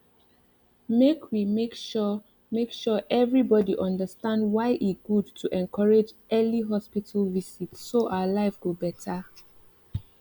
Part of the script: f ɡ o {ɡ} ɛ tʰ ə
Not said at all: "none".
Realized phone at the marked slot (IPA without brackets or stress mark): b